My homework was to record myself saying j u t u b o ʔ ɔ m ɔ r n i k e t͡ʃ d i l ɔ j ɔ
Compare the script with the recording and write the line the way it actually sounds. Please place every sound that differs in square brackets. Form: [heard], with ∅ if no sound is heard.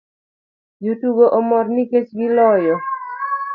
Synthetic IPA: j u t u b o ʔ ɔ m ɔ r n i k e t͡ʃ [ɡ] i l ɔ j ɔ